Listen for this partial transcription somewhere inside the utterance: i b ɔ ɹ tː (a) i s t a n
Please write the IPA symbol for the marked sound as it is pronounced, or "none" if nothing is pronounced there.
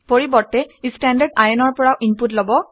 ɛ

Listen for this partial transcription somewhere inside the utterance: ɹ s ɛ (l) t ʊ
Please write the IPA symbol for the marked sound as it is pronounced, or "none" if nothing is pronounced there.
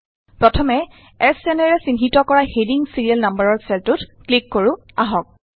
l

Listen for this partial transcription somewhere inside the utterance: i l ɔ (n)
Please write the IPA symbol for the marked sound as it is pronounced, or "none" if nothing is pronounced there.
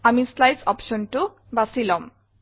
m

